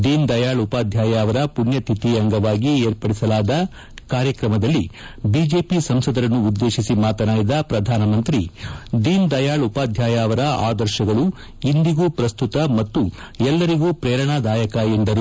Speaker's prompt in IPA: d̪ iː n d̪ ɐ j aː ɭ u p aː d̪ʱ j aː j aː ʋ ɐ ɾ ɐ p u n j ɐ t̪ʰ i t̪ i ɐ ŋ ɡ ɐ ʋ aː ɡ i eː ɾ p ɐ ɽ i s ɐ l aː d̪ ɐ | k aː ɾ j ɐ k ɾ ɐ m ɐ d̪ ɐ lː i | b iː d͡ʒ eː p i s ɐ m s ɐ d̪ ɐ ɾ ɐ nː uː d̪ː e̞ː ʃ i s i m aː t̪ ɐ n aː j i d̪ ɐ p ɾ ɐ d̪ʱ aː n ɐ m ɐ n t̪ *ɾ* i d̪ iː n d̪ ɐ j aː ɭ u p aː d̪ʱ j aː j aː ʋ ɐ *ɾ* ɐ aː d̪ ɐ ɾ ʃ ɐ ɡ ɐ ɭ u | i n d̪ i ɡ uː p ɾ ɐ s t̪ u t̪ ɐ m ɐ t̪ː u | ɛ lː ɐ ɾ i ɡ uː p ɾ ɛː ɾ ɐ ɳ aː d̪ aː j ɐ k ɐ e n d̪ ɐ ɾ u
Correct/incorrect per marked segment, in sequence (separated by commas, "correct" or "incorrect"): correct, correct